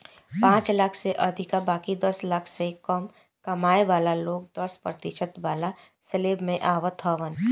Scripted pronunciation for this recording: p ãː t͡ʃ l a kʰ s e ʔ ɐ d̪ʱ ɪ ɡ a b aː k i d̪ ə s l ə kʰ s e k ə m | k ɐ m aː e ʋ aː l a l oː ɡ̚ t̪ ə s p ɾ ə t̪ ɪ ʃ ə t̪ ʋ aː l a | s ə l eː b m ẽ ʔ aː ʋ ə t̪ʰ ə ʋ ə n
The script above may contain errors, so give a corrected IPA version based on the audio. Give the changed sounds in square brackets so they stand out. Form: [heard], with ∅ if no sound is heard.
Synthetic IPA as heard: p ãː t͡ʃ l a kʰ s e ʔ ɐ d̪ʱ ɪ [k] a b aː k i d̪ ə s l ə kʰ s e k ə m | k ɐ m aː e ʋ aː l a l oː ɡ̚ [d̪] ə s p ɾ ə t̪ ɪ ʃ ə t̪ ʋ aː l a | s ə l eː b m ẽ ʔ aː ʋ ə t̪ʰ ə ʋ ə n